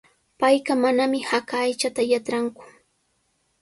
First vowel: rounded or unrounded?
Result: unrounded